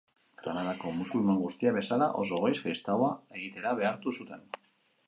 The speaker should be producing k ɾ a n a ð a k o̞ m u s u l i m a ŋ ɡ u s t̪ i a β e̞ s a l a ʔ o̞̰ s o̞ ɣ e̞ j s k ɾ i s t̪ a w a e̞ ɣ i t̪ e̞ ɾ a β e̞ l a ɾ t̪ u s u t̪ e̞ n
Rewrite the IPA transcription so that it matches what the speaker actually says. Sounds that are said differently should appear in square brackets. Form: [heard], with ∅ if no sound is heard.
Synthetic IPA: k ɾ a n a ð a k o̞ m u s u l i m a ŋ ɡ u s t̪ i a β e̞ s a l a ʔ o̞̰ s o̞ ɣ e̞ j s k ɾ i s t̪ a w a e̞ ɣ i t̪ e̞ ɾ a β e̞ [∅] a ɾ t̪ u s u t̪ e̞ n